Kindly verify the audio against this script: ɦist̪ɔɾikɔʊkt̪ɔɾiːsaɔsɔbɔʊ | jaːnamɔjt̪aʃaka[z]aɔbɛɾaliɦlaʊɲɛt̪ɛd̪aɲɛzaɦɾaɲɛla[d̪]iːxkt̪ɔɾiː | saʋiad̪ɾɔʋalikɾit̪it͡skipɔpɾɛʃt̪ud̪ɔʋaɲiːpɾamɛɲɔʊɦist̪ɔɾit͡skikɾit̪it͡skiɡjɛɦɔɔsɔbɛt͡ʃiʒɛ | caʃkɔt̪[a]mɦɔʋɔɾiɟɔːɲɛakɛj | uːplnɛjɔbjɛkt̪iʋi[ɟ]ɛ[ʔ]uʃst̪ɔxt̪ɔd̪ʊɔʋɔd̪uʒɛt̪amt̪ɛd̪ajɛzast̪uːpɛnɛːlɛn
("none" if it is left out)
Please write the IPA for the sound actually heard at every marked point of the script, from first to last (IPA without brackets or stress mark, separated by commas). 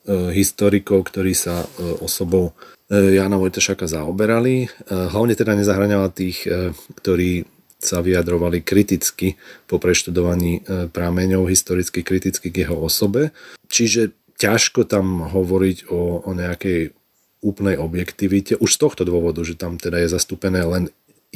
z, t̪, a, c, ʔ